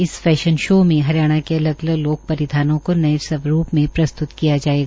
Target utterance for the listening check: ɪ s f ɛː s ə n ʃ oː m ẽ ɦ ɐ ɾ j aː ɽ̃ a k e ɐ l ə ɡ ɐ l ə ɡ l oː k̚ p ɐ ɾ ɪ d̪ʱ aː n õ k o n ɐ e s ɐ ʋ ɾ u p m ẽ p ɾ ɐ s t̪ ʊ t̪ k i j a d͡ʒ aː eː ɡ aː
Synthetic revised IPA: ɪ s f ɛː ʃ ə n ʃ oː m ẽ ɦ ɐ ɾ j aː ɽ̃ a k e ɐ l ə ɡ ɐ l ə ɡ l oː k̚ p ɐ ɾ ɪ d̪ʱ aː n õ k o n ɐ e s ɐ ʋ ɾ uː p m ẽ p ɾ ɐ s t̪ ʊ t̪ k i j a d͡ʒ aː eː ɡ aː